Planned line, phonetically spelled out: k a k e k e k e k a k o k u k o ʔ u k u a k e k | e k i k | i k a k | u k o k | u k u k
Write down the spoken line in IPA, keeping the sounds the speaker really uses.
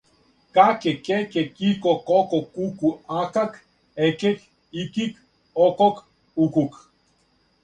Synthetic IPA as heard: k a k e k e k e k i k o k o k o k u k u a k a k | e k e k | i k i k | o k o k | u k u k